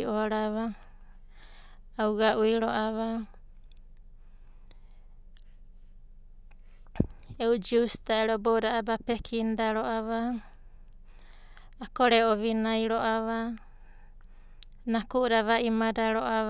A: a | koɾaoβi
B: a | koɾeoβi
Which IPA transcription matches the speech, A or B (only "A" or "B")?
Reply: B